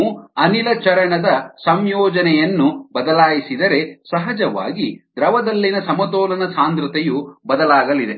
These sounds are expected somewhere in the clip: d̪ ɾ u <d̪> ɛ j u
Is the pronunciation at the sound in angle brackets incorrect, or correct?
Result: incorrect